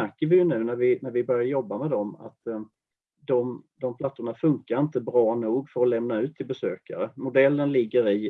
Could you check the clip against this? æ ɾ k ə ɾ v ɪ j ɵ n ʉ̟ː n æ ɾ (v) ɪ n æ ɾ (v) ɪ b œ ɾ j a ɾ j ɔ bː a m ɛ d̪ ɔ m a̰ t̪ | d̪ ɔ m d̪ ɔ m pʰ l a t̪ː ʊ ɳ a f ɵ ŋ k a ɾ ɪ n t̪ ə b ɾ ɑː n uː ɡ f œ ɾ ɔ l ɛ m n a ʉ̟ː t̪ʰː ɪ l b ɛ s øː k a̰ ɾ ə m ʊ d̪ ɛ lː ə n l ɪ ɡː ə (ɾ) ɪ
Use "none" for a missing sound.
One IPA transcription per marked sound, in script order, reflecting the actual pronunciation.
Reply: v, v, ɾ

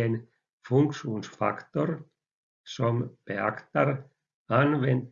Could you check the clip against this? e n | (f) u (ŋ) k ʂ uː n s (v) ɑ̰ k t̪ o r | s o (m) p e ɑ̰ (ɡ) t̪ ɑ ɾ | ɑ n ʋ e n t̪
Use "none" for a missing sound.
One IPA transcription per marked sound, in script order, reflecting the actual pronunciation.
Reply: f, ŋ, f, m, k

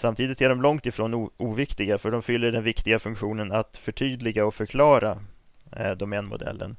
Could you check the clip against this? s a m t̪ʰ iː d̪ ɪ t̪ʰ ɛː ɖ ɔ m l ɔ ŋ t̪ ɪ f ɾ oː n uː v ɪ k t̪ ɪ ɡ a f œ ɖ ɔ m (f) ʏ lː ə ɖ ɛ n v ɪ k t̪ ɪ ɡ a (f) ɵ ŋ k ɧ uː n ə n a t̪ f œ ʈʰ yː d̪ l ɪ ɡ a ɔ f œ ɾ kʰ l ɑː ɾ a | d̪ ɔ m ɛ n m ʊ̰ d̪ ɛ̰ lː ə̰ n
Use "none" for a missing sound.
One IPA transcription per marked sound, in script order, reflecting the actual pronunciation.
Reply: f, f

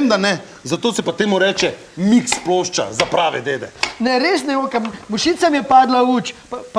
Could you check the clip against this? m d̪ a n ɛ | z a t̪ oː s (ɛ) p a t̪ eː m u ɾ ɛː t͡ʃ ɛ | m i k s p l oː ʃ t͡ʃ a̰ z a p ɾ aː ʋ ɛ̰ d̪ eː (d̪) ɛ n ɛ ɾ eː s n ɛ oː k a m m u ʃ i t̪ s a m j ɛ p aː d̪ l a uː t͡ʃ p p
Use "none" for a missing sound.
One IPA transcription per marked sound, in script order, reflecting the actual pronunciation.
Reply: ɛ, d̪

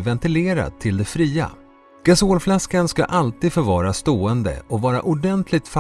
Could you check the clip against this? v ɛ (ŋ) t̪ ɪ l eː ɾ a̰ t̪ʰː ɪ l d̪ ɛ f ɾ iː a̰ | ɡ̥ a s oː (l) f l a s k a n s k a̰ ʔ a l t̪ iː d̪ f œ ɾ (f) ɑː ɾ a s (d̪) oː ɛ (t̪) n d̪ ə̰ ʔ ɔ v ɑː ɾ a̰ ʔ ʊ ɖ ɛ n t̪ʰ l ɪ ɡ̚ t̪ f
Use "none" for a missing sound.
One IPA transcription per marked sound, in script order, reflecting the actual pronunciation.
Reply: n, l, v, t̪, none

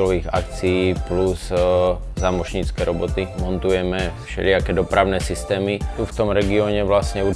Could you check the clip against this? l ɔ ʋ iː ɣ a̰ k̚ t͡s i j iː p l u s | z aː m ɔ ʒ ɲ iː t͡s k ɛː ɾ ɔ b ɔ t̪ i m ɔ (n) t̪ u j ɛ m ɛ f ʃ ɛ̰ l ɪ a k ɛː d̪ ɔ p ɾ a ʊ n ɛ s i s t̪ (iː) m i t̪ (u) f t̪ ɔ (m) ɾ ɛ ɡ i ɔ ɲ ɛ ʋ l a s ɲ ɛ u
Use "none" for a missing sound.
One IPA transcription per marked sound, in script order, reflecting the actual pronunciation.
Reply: n, ɛː, u, m

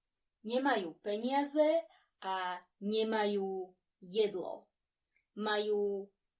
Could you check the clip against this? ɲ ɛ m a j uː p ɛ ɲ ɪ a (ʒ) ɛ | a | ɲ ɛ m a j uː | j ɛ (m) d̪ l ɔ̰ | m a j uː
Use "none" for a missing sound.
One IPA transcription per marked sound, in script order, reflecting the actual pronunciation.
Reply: z, none

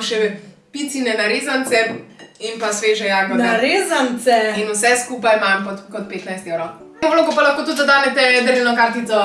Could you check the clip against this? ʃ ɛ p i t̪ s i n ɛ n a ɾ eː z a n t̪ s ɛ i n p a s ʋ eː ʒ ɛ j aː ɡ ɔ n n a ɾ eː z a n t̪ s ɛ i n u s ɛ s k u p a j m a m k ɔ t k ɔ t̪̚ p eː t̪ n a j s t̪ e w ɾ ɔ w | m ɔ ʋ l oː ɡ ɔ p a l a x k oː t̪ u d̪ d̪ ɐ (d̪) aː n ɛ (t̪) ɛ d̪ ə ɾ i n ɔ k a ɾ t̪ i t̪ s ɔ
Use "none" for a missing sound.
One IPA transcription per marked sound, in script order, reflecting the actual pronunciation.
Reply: d̪, t̪

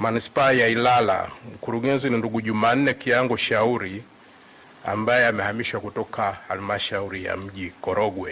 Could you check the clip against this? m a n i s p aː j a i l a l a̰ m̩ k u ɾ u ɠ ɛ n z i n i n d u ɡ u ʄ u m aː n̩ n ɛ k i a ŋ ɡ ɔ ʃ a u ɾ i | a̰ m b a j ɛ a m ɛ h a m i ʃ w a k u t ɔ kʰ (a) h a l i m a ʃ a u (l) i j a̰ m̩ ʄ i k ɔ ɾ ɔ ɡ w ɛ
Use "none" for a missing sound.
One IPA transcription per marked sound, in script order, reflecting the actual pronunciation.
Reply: a, ɾ

